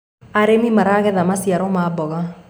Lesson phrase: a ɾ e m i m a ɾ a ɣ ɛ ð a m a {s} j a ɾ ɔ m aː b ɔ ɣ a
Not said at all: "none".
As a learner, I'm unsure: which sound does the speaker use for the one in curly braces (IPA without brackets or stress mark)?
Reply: s